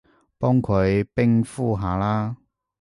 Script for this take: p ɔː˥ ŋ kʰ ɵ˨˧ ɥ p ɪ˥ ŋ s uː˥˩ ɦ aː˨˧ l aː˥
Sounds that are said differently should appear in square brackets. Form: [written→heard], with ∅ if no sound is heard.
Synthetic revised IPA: p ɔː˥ ŋ kʰ ɵ˨˧ ɥ p ɪ˥ ŋ [s→f] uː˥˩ ɦ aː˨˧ l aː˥